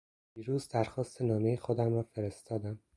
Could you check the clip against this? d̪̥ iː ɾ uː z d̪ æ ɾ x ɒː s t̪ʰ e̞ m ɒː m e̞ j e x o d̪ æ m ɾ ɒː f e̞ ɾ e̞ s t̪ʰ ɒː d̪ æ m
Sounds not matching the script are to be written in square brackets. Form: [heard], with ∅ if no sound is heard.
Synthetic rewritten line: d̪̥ iː ɾ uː z d̪ æ ɾ x ɒː s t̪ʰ e̞ [n] ɒː m e̞ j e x o d̪ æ m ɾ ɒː f e̞ ɾ e̞ s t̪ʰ ɒː d̪ æ m

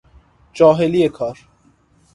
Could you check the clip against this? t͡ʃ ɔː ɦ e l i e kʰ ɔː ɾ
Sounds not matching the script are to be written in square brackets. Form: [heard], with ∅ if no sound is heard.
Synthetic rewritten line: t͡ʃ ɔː ɦ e l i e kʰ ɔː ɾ

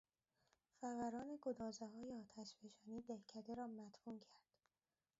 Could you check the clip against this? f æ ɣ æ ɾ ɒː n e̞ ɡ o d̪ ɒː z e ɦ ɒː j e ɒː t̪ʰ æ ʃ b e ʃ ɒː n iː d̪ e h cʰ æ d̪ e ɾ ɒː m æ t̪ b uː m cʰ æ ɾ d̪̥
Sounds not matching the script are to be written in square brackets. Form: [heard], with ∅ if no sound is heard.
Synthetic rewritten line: f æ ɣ æ ɾ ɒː n e̞ ɡ o d̪ ɒː z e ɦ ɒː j e ɒː t̪ʰ æ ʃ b e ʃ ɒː n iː d̪ e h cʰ æ d̪ e ɾ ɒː m æ t̪ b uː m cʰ æ ɾ d̪̥

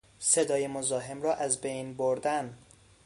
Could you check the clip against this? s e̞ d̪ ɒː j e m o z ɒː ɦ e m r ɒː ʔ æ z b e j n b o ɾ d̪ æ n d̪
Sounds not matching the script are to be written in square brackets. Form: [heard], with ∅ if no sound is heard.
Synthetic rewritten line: s e̞ d̪ ɒː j e m o z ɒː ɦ e m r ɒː ʔ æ z b e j n b o ɾ d̪ æ n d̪

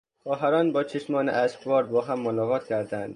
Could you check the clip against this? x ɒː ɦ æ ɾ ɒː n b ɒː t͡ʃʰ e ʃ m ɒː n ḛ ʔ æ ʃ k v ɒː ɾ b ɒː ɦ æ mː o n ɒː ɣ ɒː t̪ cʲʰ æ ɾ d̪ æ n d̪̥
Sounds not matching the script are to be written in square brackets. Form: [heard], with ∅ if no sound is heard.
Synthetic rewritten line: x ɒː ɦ æ ɾ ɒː n b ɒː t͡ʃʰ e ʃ m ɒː n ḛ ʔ æ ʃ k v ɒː ɾ b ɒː ɦ æ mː o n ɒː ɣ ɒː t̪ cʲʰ æ ɾ d̪ æ n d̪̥

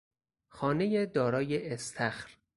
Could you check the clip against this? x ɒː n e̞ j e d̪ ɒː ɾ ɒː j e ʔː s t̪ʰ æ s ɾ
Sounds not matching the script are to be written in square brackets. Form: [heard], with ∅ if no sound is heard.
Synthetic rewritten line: x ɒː n e̞ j e d̪ ɒː ɾ ɒː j e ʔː s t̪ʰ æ [x] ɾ

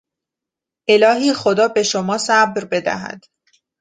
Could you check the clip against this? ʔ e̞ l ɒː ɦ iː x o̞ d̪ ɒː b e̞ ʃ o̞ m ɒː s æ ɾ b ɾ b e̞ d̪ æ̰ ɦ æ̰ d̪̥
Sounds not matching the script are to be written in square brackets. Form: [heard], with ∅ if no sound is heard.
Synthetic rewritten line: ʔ e̞ l ɒː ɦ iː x o̞ d̪ ɒː b e̞ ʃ o̞ m ɒː s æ [∅] b ɾ b e̞ d̪ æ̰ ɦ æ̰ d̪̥

